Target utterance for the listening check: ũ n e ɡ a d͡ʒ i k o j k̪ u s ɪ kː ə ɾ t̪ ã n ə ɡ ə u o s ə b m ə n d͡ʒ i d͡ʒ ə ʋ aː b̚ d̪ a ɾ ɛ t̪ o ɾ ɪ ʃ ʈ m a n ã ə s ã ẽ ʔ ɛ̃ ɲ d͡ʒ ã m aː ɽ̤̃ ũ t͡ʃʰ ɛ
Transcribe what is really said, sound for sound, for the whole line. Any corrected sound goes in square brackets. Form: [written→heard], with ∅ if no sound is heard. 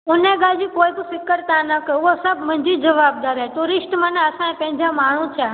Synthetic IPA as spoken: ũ n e ɡ a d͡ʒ i k o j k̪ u s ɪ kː ə ɾ t̪ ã n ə [ɡ→k] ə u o s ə b m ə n d͡ʒ i d͡ʒ ə ʋ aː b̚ d̪ a ɾ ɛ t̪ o ɾ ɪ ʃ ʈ m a n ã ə s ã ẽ [ʔ→p] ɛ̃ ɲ d͡ʒ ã m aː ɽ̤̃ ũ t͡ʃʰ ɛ